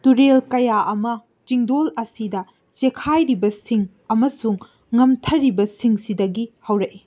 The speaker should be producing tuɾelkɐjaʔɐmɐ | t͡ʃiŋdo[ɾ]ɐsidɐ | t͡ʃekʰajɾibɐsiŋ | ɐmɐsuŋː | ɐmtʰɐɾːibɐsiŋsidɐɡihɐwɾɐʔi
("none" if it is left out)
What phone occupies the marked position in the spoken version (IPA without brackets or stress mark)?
l